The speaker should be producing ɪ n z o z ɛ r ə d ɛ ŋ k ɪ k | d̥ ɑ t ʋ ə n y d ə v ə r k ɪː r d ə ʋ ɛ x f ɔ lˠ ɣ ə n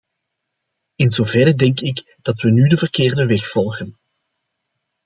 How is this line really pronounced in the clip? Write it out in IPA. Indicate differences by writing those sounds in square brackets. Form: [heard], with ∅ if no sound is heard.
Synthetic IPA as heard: ɪ n z o [v] ɛ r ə d ɛ ŋ k ɪ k | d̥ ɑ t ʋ ə n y d ə v ə r k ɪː r d ə ʋ ɛ x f ɔ lˠ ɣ ə n

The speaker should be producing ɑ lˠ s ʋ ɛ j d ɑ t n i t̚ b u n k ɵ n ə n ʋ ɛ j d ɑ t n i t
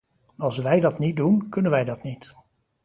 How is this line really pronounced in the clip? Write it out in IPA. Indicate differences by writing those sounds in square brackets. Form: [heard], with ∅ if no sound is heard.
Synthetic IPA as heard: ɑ lˠ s ʋ ɛ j d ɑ t n i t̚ [d] u n k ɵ n ə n ʋ ɛ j d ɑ t n i t

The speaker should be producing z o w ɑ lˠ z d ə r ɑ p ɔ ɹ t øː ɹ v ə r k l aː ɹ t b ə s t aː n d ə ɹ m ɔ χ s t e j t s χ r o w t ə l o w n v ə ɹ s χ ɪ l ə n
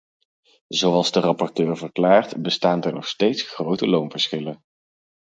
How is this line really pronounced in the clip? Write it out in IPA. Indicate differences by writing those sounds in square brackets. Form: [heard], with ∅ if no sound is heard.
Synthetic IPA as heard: z o w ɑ lˠ z d ə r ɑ p ɔ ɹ t øː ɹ v ə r k l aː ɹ t b ə s t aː n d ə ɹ [n] ɔ χ s t e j t s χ r o w t ə l o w n v ə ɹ s χ ɪ l ə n

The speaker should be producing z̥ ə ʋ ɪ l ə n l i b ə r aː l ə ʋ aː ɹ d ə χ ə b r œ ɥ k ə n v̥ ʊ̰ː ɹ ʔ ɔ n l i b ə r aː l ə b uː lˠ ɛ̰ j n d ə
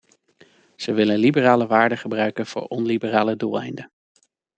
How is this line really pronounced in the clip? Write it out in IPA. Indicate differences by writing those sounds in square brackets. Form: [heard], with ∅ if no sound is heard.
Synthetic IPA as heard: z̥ ə ʋ ɪ l ə n l i b ə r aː l ə ʋ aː ɹ d ə χ ə b r œ ɥ k ə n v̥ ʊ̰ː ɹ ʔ ɔ n l i b ə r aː l ə [d] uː lˠ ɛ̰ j n d ə

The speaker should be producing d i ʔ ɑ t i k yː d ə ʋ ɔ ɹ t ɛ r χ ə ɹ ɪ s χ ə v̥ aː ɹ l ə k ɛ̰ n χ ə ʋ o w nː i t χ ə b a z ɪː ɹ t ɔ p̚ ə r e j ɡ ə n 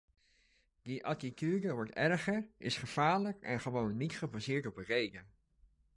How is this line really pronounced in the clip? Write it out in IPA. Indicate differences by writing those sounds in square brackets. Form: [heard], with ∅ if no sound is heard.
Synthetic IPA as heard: d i ʔ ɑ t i k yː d ə ʋ ɔ ɹ t ɛ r χ ə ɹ ɪ s χ ə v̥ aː ɹ l ə k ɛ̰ n χ ə ʋ o w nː i t χ ə b a z ɪː ɹ t ɔ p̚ ə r e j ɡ ə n

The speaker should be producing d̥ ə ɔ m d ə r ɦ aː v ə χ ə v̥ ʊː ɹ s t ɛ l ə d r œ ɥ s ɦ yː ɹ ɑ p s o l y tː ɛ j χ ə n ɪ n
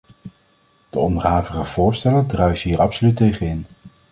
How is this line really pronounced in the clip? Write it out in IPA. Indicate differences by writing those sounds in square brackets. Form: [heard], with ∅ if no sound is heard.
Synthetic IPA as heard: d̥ ə ɔ [n] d ə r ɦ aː v ə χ ə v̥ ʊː ɹ s t ɛ l ə d r œ ɥ s ɦ [iː] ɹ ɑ p s o l y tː [e] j χ ə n ɪ n

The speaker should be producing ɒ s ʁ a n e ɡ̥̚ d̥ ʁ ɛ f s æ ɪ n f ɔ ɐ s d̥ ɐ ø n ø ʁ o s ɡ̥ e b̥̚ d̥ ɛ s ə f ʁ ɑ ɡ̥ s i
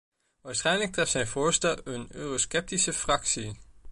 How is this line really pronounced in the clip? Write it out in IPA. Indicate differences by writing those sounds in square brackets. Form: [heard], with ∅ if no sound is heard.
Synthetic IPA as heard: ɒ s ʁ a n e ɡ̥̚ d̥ ʁ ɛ f s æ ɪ n f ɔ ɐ s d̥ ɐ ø n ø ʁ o s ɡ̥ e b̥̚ d̥ [i] s ə f ʁ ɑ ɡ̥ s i

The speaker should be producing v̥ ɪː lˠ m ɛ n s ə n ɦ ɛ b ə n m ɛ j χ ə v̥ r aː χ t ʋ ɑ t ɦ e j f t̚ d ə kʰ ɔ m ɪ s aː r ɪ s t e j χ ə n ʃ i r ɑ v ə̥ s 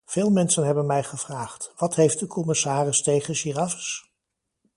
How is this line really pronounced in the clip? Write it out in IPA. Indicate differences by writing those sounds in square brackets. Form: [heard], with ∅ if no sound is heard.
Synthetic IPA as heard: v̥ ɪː lˠ m ɛ n s ə n ɦ ɛ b ə n m ɛ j χ ə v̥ r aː χ t ʋ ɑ t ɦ e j f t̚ d ə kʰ ɔ m ɪ s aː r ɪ s t e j χ ə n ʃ i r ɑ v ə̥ s

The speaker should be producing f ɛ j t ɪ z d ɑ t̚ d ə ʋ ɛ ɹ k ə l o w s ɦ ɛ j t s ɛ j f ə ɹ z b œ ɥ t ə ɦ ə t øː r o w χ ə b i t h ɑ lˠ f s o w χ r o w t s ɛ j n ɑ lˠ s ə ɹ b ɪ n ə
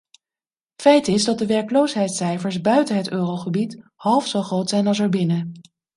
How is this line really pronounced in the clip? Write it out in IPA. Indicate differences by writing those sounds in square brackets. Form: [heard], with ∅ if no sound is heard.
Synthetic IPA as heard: f ɛ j t ɪ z d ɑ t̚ d ə ʋ ɛ ɹ k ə l o w s ɦ ɛ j t s ɛ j f ə ɹ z b œ ɥ t ə ɦ ə t øː r o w χ ə b i t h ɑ lˠ f s o w χ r o w t s ɛ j n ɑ lˠ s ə ɹ b ɪ n ə

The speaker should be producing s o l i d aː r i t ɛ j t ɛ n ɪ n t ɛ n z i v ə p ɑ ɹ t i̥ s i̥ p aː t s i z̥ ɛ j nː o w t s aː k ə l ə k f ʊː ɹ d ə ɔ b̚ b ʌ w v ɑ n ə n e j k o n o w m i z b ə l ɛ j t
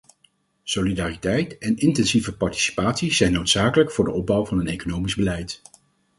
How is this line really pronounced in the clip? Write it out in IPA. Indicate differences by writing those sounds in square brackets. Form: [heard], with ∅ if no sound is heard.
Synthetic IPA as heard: s o l i d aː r i t ɛ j t ɛ n ɪ n t ɛ n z i v ə p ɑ ɹ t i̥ s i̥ p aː t s i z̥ ɛ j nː o w t s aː k ə l ə k f ʊː ɹ d ə ɔ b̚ b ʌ w v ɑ n ə n e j k o n o w m i z b ə l ɛ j t

